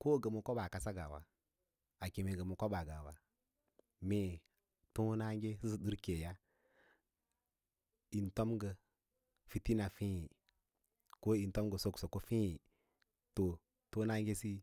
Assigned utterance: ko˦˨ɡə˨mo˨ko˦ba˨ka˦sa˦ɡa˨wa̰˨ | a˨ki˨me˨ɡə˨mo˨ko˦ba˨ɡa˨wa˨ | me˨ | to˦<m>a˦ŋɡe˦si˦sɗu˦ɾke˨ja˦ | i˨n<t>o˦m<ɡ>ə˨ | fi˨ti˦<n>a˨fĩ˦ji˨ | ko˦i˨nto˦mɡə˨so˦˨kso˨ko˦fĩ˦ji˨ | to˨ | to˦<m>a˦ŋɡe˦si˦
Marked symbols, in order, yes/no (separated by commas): no, yes, yes, yes, no